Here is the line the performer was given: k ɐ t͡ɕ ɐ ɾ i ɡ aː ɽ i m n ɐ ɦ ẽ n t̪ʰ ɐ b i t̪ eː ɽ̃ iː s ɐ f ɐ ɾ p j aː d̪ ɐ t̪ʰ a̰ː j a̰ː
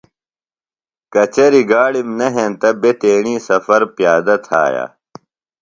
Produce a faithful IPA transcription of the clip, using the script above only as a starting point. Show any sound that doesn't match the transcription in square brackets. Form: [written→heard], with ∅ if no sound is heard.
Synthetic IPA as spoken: k ɐ t͡ɕ ɐ ɾ i ɡ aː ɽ i m n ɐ ɦ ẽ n [t̪ʰ→t̪] ɐ b [i→e] t̪ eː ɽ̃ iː s ɐ f ɐ ɾ p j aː d̪ ɐ t̪ʰ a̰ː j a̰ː